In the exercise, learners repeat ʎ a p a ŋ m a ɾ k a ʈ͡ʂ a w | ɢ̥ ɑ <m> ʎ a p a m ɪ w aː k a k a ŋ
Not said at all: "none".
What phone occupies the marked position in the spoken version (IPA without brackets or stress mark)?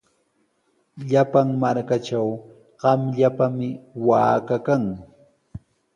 m